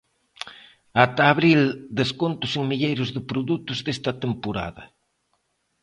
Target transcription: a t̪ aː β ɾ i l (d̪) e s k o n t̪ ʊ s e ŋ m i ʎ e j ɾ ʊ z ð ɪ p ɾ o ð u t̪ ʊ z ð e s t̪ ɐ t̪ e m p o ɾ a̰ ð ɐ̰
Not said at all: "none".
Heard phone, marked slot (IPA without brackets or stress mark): d̪